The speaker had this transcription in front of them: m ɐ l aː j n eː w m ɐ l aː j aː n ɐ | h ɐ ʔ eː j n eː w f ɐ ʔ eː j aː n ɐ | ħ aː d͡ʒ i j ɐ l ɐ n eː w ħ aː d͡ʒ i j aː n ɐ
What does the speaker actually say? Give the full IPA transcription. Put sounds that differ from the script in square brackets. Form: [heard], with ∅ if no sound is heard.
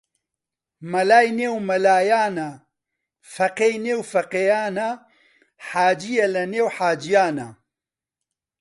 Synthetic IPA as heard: m ɐ l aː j n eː w m ɐ l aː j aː n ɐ | [f] ɐ [q] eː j n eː w f ɐ [q] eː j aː n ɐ | ħ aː d͡ʒ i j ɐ l ɐ n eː w ħ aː d͡ʒ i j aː n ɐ